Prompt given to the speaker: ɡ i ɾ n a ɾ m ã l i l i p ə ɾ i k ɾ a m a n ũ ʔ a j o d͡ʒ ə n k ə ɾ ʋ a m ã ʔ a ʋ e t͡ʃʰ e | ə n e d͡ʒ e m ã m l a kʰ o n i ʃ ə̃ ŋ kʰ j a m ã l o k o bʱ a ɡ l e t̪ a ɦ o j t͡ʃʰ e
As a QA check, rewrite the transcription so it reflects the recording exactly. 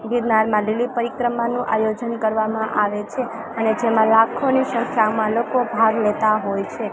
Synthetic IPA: ɡ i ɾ n a ɾ m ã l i l i p ə ɾ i k ɾ ə m a n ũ ʔ a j o d͡ʒ ə n k ə ɾ ʋ a m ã ʔ a ʋ e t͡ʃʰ e | ə n e d͡ʒ e m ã l a kʰ o n i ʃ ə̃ ŋ kʰ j a m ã l o k o bʱ a ɡ l e t̪ a ɦ o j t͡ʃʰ e